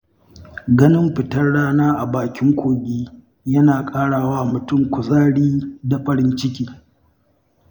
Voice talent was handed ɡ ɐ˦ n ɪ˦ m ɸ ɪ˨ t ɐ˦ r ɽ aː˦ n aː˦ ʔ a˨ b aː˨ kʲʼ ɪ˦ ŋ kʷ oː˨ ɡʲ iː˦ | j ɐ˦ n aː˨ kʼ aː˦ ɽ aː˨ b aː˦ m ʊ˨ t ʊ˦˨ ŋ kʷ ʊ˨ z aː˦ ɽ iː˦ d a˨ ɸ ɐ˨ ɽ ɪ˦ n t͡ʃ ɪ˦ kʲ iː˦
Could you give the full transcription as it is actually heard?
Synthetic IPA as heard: ɡ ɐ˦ n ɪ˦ m ɸ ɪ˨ t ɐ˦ r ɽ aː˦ n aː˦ ʔ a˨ b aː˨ kʲ ɪ˦ ŋ kʷ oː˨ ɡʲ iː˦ | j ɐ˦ n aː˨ kʼ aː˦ ɽ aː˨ w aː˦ m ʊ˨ t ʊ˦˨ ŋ kʷ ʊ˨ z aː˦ ɽ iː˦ d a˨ ɸ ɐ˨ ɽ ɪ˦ n t͡ʃ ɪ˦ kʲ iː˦